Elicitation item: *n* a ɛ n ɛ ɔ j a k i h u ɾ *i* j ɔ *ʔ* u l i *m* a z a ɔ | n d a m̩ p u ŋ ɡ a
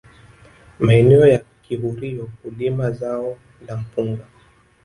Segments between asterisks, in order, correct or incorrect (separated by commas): incorrect, correct, incorrect, correct